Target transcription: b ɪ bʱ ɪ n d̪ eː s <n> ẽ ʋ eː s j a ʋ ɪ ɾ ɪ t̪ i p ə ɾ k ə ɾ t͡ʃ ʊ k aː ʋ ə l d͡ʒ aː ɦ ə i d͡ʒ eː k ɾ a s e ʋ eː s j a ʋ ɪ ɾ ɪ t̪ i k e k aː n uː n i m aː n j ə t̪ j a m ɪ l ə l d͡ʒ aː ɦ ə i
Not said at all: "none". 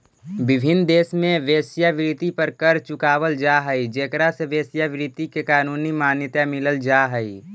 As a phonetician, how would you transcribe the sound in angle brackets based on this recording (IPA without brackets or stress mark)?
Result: m